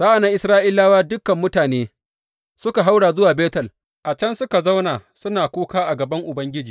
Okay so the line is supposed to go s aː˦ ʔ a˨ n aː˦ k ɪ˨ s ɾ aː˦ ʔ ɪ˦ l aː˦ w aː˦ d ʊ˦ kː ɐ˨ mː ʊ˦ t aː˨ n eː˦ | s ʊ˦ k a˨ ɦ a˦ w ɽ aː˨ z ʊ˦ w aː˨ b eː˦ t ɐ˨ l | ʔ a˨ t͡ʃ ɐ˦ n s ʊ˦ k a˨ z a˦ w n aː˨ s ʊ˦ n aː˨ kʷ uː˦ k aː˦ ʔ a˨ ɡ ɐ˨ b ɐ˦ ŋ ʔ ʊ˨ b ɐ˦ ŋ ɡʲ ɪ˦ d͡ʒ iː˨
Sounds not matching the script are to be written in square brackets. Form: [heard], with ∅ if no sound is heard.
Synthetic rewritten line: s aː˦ ʔ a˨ n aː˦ [ʔ] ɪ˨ s ɾ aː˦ ʔ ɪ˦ l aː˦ w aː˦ d ʊ˦ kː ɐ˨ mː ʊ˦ t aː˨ n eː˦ | s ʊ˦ k a˨ ɦ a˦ w ɽ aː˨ z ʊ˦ w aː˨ b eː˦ t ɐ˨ l | ʔ a˨ t͡ʃ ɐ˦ n s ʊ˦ k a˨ z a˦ w n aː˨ s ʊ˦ n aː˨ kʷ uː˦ k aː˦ ʔ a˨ ɡ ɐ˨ b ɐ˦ ŋ ʔ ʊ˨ b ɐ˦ ŋ ɡʲ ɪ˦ d͡ʒ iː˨